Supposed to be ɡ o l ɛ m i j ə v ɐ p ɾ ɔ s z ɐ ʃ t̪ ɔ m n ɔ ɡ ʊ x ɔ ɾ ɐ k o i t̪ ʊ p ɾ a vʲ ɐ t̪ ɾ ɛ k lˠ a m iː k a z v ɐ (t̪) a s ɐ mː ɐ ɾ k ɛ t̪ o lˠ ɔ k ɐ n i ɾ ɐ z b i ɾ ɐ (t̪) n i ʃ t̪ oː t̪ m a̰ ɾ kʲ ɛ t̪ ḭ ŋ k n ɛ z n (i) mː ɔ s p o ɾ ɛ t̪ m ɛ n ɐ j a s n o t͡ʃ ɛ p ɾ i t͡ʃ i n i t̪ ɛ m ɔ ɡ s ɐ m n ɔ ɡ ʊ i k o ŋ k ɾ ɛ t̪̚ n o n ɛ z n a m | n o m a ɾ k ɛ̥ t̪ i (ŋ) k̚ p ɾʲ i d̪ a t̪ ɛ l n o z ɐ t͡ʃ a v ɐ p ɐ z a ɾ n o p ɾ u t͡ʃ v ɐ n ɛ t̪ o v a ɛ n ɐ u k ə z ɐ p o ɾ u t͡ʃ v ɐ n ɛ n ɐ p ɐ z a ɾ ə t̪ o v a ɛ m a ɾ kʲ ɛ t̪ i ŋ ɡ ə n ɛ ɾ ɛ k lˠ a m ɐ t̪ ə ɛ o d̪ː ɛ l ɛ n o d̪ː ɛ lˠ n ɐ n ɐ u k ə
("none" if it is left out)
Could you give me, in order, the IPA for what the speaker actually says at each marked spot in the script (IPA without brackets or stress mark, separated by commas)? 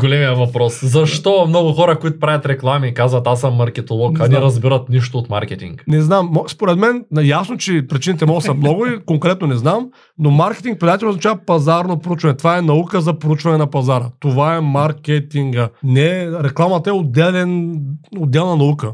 t̪, t̪, a, ŋ